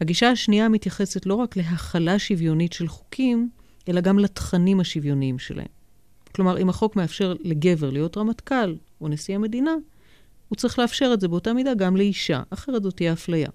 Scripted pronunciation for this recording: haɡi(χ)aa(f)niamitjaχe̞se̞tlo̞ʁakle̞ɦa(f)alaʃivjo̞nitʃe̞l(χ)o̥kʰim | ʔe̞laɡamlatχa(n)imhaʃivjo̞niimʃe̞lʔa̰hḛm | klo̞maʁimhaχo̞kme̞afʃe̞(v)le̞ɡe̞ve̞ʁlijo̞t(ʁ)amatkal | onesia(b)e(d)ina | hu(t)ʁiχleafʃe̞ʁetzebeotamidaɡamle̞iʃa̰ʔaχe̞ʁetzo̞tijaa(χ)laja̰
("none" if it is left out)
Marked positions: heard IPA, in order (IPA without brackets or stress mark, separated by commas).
ʃ, ʃ, χ, χ, n, ʁ, ʁ, m, d, t͡s, f